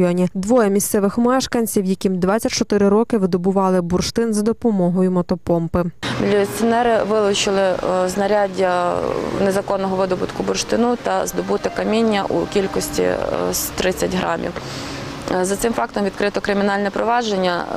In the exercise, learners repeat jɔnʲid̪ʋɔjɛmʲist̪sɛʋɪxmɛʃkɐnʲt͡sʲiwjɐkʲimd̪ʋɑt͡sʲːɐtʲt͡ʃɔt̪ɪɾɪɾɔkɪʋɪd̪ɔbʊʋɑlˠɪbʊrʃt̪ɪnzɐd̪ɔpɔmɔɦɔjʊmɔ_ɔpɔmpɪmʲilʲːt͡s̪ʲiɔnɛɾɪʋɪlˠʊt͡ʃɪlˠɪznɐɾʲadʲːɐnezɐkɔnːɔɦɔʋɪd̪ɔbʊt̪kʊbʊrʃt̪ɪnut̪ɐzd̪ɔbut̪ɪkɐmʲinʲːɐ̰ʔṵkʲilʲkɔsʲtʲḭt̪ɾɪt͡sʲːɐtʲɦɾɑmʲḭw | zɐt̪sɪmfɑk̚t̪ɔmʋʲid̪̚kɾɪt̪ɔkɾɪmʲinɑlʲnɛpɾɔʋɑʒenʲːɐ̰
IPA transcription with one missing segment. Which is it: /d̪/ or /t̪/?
t̪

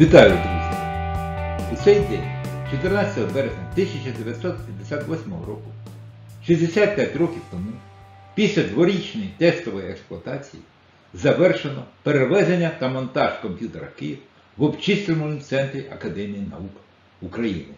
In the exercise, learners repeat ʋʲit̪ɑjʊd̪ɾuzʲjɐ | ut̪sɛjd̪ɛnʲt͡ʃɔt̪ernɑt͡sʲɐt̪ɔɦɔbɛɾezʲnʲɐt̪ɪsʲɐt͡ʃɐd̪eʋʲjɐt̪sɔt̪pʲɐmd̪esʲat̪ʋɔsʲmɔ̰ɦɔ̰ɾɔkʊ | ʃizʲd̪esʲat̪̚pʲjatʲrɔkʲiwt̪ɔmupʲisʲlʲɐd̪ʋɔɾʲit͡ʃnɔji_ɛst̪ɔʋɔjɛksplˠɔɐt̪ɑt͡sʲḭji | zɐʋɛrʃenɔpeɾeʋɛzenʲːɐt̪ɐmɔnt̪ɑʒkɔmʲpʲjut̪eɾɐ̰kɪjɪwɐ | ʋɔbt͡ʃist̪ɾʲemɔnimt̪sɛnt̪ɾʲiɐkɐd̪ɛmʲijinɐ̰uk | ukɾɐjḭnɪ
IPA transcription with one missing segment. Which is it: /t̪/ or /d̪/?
t̪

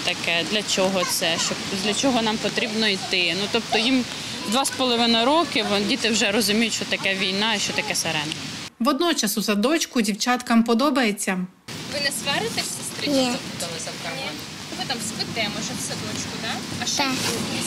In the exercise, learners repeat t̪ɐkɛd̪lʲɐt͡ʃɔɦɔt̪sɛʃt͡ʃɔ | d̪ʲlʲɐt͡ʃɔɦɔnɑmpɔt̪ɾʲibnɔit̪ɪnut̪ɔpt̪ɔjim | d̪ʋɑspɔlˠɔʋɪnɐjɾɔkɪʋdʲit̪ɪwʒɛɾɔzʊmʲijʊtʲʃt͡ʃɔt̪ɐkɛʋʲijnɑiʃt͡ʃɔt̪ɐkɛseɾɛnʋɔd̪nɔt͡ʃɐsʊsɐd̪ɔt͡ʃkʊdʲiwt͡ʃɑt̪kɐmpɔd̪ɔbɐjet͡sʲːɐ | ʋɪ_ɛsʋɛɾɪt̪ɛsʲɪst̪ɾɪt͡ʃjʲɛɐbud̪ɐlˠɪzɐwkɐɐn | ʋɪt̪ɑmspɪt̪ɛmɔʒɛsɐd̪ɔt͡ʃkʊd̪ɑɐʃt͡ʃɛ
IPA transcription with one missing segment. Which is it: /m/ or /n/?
n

